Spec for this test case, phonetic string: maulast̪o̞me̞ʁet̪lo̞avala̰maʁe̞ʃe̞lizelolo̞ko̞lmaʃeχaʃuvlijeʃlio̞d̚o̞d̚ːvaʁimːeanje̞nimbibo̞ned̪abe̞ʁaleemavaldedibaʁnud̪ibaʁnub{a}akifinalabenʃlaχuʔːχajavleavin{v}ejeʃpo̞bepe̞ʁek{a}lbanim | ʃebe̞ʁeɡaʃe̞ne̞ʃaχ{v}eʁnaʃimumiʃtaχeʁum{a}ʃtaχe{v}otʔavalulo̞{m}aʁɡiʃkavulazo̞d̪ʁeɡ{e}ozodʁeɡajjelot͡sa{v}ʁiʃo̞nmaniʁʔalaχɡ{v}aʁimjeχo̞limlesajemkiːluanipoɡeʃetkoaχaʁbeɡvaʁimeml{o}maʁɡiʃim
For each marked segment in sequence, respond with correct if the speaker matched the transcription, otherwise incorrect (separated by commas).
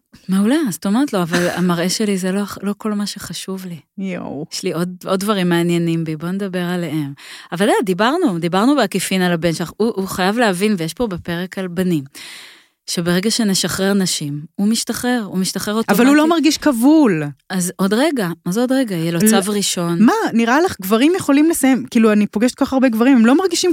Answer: incorrect, correct, correct, incorrect, incorrect, incorrect, correct, incorrect, correct, correct, correct